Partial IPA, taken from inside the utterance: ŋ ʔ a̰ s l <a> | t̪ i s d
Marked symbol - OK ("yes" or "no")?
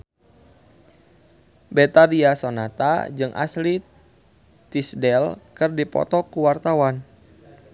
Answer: no